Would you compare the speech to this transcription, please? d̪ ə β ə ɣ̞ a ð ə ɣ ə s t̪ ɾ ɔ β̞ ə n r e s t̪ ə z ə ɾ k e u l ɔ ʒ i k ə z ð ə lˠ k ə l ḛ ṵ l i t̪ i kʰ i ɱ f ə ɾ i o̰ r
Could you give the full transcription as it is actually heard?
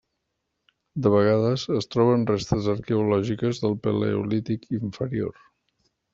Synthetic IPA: d̪ ə β ə ɣ̞ a ð ə z ə s t̪ ɾ ɔ β̞ ə n r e s t̪ ə z ə ɾ k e u l ɔ ʒ i k ə z ð ə lˠ p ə l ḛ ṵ l i t̪ i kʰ i ɱ f ə ɾ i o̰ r